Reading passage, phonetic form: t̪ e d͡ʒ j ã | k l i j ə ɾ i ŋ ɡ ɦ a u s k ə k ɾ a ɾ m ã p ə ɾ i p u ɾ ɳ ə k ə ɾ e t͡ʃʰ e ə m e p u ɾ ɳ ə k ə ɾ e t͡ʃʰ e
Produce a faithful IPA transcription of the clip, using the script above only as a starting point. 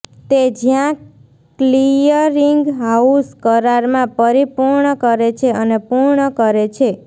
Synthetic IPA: t̪ e d͡ʒ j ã | k l i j ə ɾ i ŋ ɡ ɦ a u s k ə ɾ a ɾ m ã p ə ɾ i p u ɾ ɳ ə k ə ɾ e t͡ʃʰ e ə n e p u ɾ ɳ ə k ə ɾ e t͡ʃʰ e